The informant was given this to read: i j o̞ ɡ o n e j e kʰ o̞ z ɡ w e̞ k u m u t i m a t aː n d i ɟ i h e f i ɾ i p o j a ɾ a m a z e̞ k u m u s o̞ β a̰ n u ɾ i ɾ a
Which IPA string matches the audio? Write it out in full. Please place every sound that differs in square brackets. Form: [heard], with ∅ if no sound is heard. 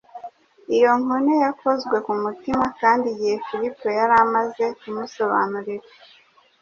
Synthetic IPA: i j o̞ [ŋ] o n e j [a] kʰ o̞ z ɡ w e̞ k u m u t i m a [k] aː n d i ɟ i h e f i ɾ i p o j a ɾ a m a z e̞ k u m u s o̞ β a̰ n u ɾ i ɾ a

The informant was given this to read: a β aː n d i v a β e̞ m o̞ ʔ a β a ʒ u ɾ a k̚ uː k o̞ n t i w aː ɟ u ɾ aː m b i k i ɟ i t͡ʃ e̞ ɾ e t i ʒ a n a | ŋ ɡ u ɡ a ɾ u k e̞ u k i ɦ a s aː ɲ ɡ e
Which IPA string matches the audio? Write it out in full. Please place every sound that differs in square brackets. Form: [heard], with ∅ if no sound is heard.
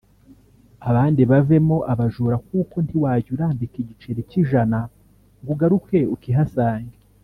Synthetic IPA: a β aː n d i [β] a [v] e̞ m o̞ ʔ a β a ʒ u ɾ a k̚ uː k o̞ n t i w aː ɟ u ɾ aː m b i k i ɟ i t͡ʃ e̞ ɾ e [c] i ʒ a n a | ŋ ɡ u ɡ a ɾ u k e̞ u k i ɦ a s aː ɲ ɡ e

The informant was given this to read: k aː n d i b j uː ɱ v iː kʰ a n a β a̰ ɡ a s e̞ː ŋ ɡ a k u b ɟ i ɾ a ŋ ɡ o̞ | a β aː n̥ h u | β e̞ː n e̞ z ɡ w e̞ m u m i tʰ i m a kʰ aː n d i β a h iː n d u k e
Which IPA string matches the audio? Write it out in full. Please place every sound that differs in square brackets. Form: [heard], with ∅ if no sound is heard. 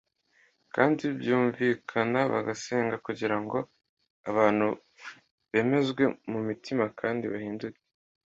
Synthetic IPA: k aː n d i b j uː ɱ v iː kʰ a n a β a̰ ɡ a s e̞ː ŋ ɡ a k u [∅] ɟ i ɾ a ŋ ɡ o̞ | a β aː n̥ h u | β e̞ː [m] e̞ z ɡ w e̞ m u m i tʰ i m a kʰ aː n d i β a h iː n d u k e

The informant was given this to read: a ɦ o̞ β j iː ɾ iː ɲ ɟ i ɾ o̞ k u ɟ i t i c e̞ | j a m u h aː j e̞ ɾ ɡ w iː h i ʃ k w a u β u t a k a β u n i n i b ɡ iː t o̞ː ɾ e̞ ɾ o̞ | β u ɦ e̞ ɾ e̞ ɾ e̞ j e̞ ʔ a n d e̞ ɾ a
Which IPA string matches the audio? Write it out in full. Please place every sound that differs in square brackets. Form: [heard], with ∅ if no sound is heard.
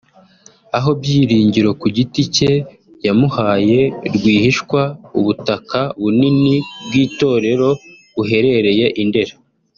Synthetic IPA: a ɦ o̞ [b] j iː ɾ iː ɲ ɟ i ɾ o̞ k u ɟ i t i c e̞ | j a m u h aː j e̞ ɾ ɡ w iː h i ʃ k w a u β u t a k a β u n i n i b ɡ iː t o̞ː ɾ e̞ ɾ o̞ | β u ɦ e̞ ɾ e̞ ɾ e̞ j e̞ ʔ [i] n d e̞ ɾ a

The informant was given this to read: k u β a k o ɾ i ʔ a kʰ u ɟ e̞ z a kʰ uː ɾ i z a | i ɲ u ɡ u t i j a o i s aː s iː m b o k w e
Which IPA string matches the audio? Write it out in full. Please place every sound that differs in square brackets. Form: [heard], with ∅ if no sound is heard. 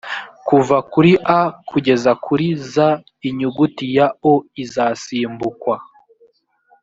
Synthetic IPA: k u [v] a k [u] ɾ i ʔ a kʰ u ɟ e̞ z a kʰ [u] ɾ i z a | i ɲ u ɡ u t i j a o i [z] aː s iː m b [u] k w [a]

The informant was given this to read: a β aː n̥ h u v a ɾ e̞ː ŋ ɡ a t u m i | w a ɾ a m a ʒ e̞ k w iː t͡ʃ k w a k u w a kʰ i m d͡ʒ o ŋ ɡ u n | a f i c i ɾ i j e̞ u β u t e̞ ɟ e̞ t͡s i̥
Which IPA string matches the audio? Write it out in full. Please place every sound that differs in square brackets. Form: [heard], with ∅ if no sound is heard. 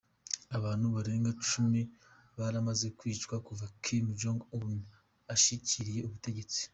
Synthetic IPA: a β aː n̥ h u [β] a ɾ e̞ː ŋ ɡ a [t͡ʃ] u m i | [β] a ɾ a m a [z] e̞ k w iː t͡ʃ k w a k u [v] a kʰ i m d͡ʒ o ŋ ɡ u n | a [ʃ] i c i ɾ i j e̞ u β u t e̞ ɟ e̞ t͡s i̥

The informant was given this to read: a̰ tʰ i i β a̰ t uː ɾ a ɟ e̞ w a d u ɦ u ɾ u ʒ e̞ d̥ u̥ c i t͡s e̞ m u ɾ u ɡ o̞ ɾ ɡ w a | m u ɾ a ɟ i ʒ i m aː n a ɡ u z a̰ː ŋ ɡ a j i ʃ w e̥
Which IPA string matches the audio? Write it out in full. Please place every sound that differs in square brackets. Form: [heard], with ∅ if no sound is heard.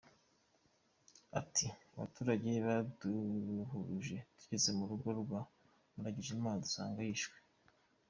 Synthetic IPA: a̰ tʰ i [a] β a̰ t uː ɾ a ɟ e̞ [β] a d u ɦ u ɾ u ʒ e̞ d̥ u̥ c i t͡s e̞ m u ɾ u ɡ o̞ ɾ ɡ w a | m u ɾ a ɟ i ʒ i m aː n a [d] u [s] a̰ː ŋ ɡ a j i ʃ w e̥

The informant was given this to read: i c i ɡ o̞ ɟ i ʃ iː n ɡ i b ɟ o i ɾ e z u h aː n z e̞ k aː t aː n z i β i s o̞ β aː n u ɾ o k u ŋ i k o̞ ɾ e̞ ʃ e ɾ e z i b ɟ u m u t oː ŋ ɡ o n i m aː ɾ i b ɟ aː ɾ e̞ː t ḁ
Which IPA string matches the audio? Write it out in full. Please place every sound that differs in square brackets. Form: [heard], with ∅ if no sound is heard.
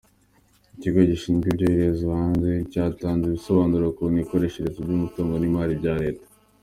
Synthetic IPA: i c i ɡ o̞ ɟ i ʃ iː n ɡ i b ɟ o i ɾ e z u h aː n z e̞ [c] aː t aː n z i β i s o̞ β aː n u ɾ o k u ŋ i k o̞ ɾ e̞ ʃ e ɾ e z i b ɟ u m u t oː ŋ ɡ o n i m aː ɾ i b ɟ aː ɾ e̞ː t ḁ

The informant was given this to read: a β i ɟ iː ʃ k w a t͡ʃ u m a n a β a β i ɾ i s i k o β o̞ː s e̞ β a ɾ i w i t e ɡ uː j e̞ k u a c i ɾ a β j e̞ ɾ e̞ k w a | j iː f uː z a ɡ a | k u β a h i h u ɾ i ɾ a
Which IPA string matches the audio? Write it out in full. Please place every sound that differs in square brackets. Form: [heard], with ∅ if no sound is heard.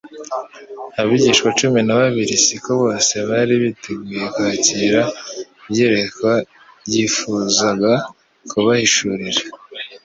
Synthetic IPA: a β i ɟ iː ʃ k w a t͡ʃ u m [i] n a β a β i ɾ i s i k o β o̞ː s e̞ β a ɾ i [β] i t e ɡ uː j e̞ k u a c i ɾ a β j e̞ ɾ e̞ k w a | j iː f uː z a ɡ a | k u β a h i [ʃ] u ɾ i ɾ a

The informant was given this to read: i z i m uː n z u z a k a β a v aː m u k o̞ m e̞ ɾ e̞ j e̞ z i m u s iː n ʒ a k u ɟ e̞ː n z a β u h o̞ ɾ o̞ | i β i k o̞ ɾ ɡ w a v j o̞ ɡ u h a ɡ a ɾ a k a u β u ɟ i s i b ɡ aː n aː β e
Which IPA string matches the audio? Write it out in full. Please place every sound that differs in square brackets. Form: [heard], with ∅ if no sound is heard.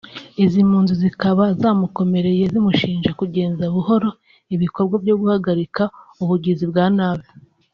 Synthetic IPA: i z i m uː n z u z [i] k a β a [z] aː m u k o̞ m e̞ ɾ e̞ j e̞ z i m u [ʃ] iː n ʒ a k u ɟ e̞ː n z a β u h o̞ ɾ o̞ | i β i k o̞ ɾ ɡ w a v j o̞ ɡ u h a ɡ a ɾ [i] k a u β u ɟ i [z] i b ɡ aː n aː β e

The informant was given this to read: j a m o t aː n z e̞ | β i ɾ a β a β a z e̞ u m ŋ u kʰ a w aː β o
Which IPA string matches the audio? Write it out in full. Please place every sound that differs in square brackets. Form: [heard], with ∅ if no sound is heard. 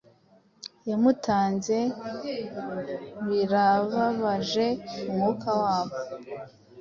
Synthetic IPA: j a m [u] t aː n z e̞ | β i ɾ a β a β a [ʒ] e̞ u m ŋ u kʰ a w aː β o

